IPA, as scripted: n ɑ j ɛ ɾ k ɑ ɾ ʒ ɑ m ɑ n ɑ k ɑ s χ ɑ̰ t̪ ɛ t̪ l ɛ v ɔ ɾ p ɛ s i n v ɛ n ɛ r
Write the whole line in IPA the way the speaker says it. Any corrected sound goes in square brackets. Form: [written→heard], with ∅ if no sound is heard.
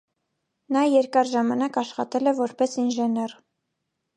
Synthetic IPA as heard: n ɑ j ɛ ɾ k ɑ ɾ ʒ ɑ m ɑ n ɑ k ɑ [s→ʃ] χ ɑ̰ t̪ ɛ [t̪→∅] l ɛ v ɔ ɾ p ɛ s i n [v→ʒ] ɛ n ɛ r